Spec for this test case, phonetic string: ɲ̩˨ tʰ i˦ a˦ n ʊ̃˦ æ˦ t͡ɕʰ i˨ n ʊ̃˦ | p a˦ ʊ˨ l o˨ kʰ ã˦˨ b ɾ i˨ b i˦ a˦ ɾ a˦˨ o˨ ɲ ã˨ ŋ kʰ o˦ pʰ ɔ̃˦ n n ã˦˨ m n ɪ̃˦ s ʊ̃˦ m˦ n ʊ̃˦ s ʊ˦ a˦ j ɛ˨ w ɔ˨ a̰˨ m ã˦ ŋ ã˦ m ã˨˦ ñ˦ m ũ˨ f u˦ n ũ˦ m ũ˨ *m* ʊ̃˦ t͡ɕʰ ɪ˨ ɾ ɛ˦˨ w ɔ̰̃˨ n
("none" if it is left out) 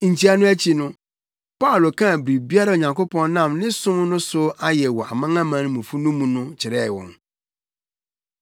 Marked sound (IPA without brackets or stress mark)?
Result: n